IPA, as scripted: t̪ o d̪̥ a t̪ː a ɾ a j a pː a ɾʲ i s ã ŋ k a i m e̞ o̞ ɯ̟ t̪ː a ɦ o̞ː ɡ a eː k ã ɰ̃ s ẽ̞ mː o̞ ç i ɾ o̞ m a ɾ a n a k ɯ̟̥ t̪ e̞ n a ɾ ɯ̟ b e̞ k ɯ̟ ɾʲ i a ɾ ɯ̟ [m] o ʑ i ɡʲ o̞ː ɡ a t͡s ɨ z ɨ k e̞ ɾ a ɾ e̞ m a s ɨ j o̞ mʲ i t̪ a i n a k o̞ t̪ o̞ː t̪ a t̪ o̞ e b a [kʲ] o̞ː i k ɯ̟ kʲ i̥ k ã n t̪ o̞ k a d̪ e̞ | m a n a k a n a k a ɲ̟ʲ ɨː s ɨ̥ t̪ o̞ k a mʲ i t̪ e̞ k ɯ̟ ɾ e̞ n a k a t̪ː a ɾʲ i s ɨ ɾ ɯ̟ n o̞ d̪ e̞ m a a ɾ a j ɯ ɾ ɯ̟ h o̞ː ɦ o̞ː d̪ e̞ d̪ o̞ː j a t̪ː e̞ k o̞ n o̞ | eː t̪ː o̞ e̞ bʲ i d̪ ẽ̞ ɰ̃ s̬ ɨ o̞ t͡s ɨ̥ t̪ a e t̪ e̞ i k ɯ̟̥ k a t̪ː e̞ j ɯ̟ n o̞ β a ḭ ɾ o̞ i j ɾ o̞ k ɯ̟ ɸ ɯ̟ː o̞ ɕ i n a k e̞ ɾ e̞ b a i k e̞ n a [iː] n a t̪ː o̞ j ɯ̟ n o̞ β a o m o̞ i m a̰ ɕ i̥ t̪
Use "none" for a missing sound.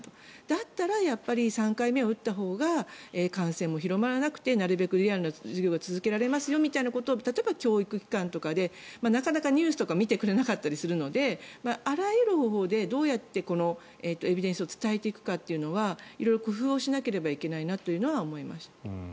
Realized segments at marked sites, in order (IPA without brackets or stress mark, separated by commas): n, kʲ, i